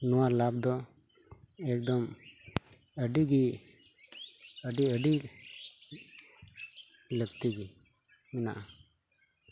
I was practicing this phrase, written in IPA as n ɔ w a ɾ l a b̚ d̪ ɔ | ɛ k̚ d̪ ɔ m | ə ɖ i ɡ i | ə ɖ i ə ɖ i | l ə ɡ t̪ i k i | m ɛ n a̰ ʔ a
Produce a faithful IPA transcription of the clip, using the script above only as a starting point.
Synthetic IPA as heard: n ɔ w a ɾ l a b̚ d̪ ɔ | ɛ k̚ d̪ ɔ m | ə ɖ i ɡ i | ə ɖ i ə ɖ i | l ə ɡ t̪ i ɡ i | m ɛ n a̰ ʔ a